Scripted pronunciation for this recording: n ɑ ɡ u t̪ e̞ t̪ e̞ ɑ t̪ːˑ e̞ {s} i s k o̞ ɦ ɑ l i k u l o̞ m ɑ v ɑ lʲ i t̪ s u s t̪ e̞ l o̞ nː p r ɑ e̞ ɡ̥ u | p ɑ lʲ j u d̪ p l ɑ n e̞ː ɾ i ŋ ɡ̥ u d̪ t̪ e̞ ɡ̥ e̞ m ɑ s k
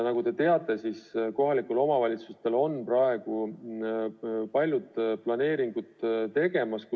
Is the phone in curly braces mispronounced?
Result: no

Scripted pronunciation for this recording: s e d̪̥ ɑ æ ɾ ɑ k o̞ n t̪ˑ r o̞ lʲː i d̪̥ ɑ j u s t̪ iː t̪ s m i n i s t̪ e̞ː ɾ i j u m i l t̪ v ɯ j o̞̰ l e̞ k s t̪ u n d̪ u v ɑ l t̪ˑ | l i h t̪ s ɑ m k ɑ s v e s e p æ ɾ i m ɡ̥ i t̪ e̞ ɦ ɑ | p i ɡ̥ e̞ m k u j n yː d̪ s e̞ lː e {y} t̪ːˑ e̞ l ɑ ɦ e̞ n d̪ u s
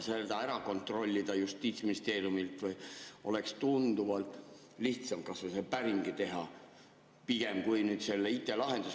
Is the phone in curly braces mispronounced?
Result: yes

